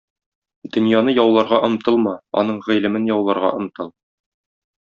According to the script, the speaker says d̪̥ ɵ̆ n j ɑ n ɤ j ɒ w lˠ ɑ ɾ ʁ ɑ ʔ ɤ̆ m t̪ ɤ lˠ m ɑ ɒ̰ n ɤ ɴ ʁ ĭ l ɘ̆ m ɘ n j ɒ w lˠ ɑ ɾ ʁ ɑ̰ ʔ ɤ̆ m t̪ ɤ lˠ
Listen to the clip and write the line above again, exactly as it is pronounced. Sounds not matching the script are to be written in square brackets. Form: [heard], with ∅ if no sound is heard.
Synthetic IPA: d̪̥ ɵ̆ n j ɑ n ɤ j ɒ w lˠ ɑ ɾ ʁ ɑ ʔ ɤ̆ m t̪ ɤ lˠ m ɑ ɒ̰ n ɤ ɴ ʁ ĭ l ɘ̆ m ɘ n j ɒ w lˠ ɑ ɾ ʁ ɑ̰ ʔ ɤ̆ m t̪ ɤ lˠ